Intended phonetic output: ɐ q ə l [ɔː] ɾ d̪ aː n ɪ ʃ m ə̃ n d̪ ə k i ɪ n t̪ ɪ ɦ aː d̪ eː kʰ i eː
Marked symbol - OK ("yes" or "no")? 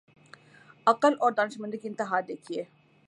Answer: yes